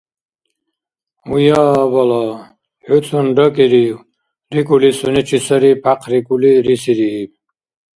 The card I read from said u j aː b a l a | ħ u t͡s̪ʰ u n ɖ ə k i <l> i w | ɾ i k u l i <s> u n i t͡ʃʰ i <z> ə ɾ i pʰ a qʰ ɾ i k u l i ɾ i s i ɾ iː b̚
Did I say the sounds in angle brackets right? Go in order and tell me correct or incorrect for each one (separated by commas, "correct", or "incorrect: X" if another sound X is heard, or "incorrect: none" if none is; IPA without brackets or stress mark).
incorrect: ɾ, correct, incorrect: s